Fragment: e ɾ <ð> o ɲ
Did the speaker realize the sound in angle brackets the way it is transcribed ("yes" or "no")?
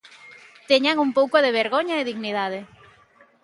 no